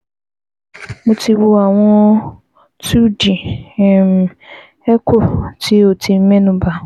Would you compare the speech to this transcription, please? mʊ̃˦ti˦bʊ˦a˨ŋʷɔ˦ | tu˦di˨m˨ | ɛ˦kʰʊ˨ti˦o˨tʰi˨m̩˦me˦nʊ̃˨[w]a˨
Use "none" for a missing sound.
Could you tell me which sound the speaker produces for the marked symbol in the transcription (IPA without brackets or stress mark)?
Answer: b